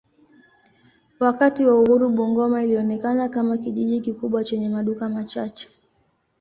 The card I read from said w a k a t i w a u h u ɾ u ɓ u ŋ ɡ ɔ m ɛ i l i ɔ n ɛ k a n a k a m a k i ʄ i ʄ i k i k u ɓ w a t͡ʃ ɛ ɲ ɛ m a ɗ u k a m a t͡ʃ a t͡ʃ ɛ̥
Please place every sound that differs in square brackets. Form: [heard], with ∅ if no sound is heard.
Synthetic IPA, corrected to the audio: w a k a t i w a u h u ɾ u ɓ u ŋ ɡ ɔ m [a] i l i ɔ n ɛ k a n a k a m a k i ʄ i ʄ i k i k u ɓ w a t͡ʃ ɛ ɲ ɛ m a ɗ u k a m a t͡ʃ a t͡ʃ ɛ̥